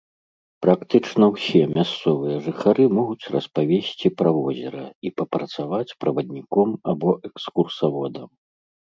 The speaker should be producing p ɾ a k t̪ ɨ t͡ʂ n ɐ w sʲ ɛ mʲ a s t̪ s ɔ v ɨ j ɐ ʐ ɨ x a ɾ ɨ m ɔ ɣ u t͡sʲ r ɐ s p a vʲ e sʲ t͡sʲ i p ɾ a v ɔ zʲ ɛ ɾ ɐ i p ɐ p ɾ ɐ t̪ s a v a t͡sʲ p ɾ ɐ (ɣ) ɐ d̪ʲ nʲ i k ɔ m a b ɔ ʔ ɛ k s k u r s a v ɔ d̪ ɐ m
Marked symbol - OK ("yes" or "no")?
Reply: no